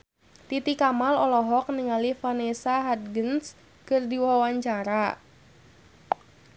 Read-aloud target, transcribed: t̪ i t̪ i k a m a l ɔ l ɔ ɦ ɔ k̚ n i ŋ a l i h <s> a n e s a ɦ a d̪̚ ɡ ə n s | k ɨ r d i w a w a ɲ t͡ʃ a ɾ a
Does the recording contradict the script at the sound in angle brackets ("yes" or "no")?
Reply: yes